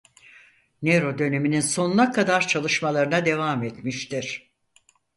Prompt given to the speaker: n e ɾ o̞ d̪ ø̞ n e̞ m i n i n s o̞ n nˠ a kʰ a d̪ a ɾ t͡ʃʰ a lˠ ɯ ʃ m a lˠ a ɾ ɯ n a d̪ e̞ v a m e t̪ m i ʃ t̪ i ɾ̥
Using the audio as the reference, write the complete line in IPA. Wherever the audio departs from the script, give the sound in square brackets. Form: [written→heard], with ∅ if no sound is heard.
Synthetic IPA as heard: n e ɾ o̞ d̪ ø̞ n e̞ m i n i n s o̞ n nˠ a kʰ a d̪ a ɾ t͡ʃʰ a lˠ ɯ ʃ m a lˠ a ɾ ɯ n a d̪ e̞ v a m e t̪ m i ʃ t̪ i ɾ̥